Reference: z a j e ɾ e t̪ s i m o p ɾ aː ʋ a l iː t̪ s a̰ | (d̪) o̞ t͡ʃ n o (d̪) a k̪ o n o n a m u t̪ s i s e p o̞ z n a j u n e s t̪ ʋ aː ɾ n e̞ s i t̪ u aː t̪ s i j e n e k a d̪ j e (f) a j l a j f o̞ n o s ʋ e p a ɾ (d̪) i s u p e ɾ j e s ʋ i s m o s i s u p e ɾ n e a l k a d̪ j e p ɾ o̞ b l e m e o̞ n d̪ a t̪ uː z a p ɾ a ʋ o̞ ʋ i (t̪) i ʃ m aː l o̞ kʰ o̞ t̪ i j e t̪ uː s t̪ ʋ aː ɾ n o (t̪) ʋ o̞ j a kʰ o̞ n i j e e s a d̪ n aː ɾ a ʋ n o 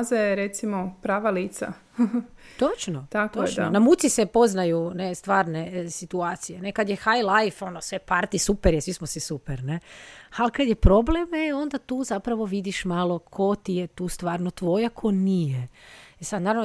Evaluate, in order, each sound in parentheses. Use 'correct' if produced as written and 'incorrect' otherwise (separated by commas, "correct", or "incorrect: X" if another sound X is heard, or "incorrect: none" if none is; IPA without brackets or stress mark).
incorrect: t̪, incorrect: t̪, incorrect: x, incorrect: t̪, incorrect: d̪, correct